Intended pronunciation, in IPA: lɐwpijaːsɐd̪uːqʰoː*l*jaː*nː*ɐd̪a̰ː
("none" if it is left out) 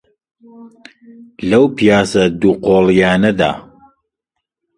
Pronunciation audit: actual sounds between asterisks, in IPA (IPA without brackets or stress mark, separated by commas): l, n